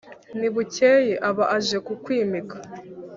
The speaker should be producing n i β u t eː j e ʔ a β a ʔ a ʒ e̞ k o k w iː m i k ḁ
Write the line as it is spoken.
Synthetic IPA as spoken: n i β u c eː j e ʔ a β a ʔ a ʒ e̞ k u k w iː m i k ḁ